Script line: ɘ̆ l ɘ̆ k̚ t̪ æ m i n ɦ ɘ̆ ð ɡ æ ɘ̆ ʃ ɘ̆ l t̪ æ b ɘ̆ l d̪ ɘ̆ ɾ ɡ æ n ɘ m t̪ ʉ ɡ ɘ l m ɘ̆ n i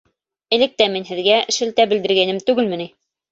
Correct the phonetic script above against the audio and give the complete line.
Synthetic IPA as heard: ɘ̆ l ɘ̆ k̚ t̪ æ m i n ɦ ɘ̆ ð ɡ æ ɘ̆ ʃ ɘ̆ l t̪ æ b ɘ̆ l d̪ ɘ̆ ɾ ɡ æ n ɘ m t̪ ʉ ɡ ɘ l m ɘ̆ n i